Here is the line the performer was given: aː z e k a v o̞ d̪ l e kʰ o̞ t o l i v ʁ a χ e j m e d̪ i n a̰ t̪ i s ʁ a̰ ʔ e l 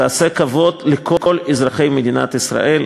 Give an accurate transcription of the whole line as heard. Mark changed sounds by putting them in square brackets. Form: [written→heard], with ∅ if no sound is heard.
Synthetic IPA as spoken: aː [z→s] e k a v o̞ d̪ l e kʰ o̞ [t→k] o l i [v→z] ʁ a χ e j m e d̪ i n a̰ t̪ i s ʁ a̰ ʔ e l